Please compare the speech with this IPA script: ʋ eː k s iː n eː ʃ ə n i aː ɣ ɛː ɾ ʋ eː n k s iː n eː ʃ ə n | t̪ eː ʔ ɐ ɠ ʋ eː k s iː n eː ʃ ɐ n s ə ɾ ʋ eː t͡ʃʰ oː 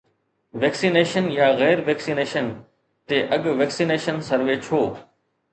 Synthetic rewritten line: ʋ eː k s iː n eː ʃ ə n j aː ɣ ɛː ɾ ʋ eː k s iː n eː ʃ ə n | t̪ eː ʔ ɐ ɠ ʋ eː k s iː n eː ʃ ə n s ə ɾ ʋ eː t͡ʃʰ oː